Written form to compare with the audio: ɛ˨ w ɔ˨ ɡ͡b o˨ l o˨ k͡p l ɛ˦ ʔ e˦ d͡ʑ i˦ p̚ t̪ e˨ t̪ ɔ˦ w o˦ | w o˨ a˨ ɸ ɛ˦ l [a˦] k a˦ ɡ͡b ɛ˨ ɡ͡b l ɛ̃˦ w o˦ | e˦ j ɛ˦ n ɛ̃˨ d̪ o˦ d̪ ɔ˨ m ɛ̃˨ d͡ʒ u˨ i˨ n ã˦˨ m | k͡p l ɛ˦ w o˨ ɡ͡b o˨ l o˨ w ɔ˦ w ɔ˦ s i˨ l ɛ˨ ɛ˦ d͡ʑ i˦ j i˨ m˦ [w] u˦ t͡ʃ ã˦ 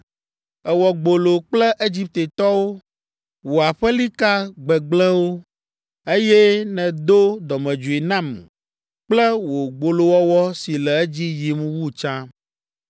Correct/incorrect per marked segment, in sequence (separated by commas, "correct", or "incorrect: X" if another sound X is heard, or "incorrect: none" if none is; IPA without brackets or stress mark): incorrect: i˦, correct